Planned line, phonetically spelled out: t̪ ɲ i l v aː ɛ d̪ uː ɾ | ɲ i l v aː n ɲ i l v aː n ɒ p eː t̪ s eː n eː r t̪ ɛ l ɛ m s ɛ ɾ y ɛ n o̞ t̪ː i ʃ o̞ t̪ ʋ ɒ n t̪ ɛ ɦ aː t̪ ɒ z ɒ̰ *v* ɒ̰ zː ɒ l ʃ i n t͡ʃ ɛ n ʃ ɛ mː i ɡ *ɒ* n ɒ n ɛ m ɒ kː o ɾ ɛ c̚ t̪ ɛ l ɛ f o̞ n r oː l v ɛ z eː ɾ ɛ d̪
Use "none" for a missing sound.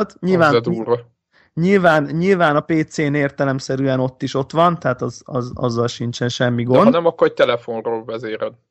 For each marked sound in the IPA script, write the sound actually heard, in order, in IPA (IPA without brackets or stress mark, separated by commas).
z, o